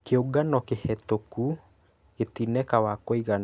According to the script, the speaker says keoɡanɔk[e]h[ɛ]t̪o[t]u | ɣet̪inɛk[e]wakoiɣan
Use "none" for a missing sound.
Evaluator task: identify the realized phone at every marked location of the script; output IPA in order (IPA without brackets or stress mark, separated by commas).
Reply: e, ɛ, k, a